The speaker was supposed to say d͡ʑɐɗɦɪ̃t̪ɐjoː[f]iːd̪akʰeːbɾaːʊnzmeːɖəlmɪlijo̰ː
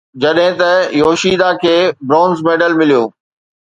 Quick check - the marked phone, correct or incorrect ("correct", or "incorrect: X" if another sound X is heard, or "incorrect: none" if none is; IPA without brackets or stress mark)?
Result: incorrect: ʃ